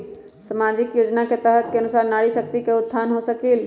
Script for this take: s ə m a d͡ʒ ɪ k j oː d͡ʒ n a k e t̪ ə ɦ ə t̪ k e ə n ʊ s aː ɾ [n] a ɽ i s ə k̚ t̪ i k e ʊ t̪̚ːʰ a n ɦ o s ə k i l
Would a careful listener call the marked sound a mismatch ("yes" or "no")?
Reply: no